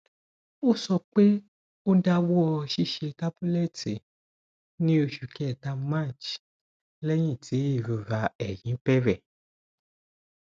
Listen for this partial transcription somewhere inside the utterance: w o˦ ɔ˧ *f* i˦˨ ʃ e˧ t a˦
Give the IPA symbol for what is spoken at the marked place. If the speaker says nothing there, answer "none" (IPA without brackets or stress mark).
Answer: ʃ